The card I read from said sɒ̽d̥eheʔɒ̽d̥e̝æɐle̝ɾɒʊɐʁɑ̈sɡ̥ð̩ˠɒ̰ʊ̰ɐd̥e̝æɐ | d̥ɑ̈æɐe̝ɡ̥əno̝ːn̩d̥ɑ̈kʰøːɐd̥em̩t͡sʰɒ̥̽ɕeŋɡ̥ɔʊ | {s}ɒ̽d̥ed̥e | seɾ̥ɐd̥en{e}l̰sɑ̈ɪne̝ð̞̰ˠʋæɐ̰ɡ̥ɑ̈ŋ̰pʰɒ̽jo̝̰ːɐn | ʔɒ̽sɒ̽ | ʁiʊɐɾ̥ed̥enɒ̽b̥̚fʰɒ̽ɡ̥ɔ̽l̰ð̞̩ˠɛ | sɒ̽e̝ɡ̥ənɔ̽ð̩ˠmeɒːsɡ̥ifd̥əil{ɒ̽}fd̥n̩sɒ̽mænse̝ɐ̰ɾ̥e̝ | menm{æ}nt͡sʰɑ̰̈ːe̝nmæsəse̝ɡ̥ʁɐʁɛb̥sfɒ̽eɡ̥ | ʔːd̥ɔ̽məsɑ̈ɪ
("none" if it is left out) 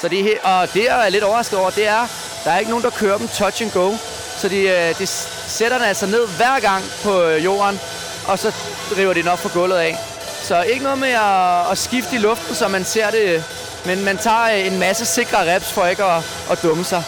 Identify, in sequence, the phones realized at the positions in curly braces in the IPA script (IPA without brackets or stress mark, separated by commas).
s, æ, ɔ̽, æ